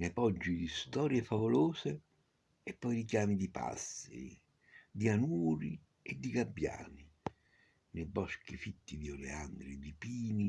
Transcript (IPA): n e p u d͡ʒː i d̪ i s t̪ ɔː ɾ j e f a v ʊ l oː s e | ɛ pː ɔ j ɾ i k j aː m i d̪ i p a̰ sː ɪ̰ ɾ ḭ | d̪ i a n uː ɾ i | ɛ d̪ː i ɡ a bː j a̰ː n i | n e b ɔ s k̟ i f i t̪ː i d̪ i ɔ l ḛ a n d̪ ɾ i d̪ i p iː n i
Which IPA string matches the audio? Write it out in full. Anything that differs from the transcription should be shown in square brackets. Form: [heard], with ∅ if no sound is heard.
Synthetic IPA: n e p [ɔ] d͡ʒː i d̪ i s t̪ ɔː ɾ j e f a v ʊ l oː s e | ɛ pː ɔ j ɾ i k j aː m i d̪ i p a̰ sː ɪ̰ ɾ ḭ | d̪ i a n uː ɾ i | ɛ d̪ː i ɡ a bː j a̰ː n i | n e b ɔ s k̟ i f i t̪ː i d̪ i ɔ l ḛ a n d̪ ɾ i d̪ i p iː n i